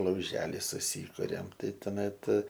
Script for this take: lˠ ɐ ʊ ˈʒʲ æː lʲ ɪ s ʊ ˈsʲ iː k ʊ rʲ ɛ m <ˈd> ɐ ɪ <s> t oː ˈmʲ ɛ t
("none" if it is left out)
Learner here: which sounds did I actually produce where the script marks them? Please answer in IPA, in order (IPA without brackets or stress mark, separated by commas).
t, none